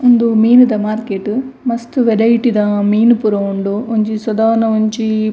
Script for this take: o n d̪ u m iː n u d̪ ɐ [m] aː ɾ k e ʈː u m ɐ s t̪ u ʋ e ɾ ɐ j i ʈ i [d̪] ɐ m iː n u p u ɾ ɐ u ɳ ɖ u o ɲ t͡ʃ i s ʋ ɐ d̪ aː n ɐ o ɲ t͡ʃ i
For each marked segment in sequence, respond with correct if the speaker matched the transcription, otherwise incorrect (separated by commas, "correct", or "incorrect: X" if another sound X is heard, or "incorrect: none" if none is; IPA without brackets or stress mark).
correct, correct